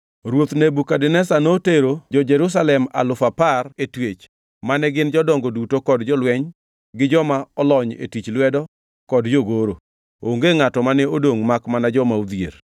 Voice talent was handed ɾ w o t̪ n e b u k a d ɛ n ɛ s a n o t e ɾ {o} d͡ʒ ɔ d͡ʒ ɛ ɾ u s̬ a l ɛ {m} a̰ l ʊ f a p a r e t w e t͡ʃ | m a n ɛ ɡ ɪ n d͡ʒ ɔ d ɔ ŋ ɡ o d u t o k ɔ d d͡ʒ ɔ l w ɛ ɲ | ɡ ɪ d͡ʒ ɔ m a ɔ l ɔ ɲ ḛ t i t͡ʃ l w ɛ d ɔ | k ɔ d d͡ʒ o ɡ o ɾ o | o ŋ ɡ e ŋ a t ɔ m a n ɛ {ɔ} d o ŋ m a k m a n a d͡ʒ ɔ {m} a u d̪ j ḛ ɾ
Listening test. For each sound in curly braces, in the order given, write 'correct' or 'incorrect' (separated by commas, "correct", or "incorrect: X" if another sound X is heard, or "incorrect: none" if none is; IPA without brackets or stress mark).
correct, correct, incorrect: o, correct